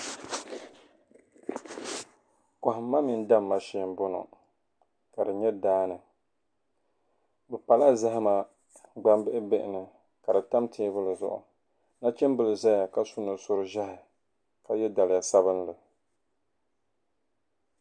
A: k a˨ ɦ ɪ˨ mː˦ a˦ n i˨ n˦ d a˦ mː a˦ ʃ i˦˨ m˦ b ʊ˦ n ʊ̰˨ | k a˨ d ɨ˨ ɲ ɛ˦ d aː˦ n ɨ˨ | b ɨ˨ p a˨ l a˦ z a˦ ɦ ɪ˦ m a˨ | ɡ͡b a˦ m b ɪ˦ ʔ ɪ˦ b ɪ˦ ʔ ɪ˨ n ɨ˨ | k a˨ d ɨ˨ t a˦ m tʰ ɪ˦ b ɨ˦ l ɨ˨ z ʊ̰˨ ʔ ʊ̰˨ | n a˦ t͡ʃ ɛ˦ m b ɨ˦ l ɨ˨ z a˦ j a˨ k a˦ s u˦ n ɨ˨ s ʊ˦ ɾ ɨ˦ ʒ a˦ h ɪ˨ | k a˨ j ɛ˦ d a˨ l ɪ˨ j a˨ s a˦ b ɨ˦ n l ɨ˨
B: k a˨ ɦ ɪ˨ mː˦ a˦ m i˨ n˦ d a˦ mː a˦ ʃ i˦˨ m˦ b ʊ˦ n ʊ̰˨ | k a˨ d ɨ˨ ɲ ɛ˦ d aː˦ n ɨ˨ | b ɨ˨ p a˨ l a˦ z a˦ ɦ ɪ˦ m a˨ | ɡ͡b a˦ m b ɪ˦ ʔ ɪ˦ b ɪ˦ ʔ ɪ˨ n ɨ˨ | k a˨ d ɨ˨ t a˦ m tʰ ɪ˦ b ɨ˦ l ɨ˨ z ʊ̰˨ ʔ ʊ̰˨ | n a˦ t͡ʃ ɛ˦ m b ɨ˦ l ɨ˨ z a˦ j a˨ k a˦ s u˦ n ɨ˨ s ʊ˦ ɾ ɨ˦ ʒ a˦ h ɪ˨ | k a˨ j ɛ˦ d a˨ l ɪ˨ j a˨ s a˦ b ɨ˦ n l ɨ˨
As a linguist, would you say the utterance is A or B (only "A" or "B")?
B